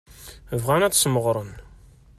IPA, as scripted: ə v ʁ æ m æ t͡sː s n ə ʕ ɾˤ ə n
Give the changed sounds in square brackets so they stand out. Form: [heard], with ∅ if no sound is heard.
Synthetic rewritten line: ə v ʁ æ [n] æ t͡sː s [m] ə [ʁ] ɾˤ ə n